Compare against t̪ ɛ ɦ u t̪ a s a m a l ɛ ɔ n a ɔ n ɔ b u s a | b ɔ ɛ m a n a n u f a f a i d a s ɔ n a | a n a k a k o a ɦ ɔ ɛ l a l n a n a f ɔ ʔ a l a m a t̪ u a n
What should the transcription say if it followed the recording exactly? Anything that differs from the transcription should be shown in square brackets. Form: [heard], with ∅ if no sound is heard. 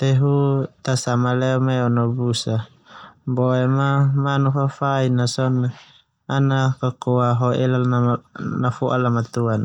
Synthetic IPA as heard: t̪ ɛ ɦ u t̪ a s a m a l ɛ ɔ [m] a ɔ n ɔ b u s a | b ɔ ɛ m a [m] a n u f a f a i [n] a s ɔ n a | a n a k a k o a ɦ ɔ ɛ l a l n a n a f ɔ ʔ a l a m a t̪ u a n